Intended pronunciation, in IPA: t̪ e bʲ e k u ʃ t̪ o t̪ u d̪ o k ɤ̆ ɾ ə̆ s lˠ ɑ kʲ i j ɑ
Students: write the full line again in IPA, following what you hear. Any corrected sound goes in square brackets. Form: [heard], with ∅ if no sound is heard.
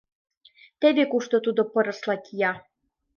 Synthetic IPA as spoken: t̪ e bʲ e k u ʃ t̪ o t̪ u d̪ o [p] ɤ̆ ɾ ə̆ s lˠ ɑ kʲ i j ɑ